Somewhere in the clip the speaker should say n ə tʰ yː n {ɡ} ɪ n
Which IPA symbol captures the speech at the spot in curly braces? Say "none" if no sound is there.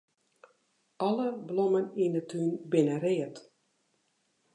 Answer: b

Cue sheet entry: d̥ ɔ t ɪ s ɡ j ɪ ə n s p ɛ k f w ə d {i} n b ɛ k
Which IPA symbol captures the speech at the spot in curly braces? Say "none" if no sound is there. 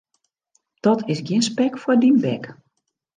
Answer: i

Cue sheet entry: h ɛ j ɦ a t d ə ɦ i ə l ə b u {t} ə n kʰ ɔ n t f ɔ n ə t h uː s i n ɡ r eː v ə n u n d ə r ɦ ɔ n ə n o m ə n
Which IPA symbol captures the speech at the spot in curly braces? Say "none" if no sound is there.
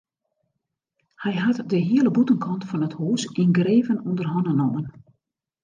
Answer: t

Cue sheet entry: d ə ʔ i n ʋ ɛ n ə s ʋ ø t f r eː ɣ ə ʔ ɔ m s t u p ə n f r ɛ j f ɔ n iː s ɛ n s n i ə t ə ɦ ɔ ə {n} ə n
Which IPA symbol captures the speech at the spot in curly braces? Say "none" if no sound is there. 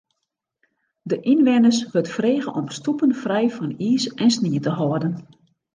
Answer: d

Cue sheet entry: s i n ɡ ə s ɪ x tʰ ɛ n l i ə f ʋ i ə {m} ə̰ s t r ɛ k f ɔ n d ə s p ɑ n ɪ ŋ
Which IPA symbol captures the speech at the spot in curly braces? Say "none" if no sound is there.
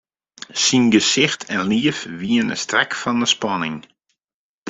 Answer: n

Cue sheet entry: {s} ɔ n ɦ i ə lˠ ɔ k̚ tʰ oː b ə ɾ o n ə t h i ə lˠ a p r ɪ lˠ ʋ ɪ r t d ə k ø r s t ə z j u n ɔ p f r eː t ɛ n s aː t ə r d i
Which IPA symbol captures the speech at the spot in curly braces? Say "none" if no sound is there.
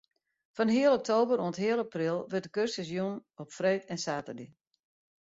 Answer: f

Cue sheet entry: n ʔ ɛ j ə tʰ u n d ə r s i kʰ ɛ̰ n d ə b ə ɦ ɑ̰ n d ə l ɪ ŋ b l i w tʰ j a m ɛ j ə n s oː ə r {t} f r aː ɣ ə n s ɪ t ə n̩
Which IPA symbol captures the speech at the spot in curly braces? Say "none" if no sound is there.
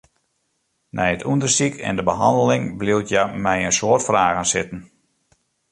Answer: t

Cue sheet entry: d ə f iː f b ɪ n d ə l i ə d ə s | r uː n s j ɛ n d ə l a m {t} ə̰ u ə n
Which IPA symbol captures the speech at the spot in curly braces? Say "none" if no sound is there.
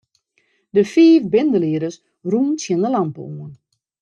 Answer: p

